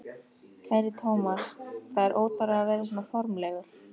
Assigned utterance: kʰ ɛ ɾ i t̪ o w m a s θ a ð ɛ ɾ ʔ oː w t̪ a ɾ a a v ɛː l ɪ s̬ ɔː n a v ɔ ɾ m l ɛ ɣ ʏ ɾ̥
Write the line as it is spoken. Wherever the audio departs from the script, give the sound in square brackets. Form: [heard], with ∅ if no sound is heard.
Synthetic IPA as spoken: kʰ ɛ ɾ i [t̪ʰ] o w m a s θ a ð ɛ ɾ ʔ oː w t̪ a ɾ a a v ɛː [ɾ] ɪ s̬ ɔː n a [f] ɔ ɾ m l ɛ ɣ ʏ ɾ̥